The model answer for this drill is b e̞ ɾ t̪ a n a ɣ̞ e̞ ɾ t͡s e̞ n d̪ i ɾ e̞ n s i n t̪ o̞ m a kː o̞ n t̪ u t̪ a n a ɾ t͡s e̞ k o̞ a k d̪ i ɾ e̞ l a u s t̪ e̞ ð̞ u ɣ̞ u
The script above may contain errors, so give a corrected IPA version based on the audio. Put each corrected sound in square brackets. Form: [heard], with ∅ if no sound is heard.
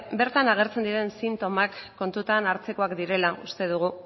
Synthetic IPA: b e̞ ɾ t̪ a n a ɣ̞ e̞ ɾ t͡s e̞ n d̪ i ɾ e̞ n s i n t̪ o̞ m a kː o̞ n t̪ u t̪ a n a ɾ t͡s e̞ k o̞ a k d̪ i ɾ e̞ l a u s t̪ e̞ ð̞ u ɣ̞ u